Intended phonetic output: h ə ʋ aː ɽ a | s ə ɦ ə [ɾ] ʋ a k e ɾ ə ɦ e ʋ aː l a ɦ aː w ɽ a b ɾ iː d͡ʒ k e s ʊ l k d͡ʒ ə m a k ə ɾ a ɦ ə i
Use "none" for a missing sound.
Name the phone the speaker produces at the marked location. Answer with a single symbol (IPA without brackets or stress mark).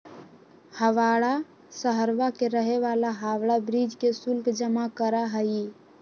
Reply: ɾ